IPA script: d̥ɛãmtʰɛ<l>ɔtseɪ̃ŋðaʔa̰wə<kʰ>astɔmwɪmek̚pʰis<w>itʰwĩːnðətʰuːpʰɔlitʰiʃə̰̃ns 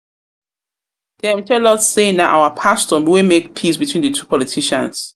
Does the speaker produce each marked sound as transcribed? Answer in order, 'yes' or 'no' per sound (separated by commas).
yes, no, no